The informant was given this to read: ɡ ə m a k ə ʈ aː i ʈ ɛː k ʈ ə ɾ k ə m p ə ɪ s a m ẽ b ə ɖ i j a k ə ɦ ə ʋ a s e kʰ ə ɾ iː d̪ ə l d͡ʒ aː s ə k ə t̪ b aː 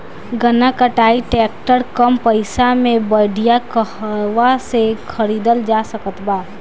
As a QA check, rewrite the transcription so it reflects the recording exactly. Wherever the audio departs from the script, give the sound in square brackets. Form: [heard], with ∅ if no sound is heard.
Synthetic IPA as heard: ɡ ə [n] a k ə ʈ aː i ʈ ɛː k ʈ ə ɾ k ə m p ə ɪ s a m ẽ b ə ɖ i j a k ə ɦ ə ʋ a s e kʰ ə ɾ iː d̪ ə l d͡ʒ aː s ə k ə t̪ b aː